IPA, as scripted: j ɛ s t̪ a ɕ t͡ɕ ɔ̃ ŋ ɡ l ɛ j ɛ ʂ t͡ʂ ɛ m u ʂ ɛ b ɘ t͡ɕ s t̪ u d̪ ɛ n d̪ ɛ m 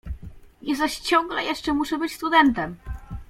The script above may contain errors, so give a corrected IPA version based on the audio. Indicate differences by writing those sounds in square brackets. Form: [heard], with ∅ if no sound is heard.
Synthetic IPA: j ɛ s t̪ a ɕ t͡ɕ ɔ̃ ŋ ɡ l ɛ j ɛ ʂ t͡ʂ ɛ m u ʂ ɛ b ɘ t͡ɕ s t̪ u d̪ ɛ n [t̪] ɛ m